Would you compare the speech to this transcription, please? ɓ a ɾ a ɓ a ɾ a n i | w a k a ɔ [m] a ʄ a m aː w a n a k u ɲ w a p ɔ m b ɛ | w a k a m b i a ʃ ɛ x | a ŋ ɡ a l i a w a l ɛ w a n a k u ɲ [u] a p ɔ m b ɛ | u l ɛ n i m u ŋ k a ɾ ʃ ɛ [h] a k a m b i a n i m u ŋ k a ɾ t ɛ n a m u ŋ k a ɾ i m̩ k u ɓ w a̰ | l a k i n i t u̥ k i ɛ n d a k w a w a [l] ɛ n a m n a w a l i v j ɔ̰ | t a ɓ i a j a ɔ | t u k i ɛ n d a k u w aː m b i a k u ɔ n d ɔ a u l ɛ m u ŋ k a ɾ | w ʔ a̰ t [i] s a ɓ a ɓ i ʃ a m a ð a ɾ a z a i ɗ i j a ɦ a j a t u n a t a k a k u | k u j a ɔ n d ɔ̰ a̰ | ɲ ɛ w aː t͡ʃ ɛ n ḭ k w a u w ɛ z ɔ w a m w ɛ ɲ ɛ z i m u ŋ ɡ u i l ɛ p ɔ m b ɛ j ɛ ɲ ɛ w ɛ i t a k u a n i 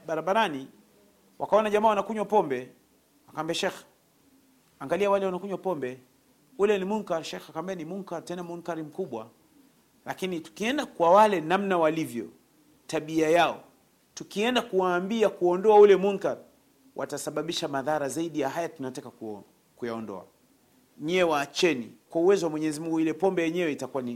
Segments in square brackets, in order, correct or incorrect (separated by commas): incorrect, incorrect, incorrect, correct, incorrect